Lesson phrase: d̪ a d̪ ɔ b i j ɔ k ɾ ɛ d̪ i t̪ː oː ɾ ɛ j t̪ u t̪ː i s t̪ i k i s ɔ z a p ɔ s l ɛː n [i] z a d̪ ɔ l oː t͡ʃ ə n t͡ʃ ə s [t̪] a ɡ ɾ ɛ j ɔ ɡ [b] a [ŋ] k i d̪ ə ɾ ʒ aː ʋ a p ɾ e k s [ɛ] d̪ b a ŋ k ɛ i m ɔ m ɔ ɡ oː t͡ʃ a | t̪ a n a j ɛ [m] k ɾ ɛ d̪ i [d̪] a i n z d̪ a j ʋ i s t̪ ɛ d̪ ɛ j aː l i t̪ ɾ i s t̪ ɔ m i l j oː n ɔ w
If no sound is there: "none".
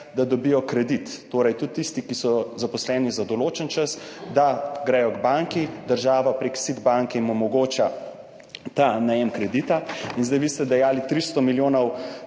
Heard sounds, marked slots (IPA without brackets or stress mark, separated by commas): i, d̪, b, ŋ, i, m, t̪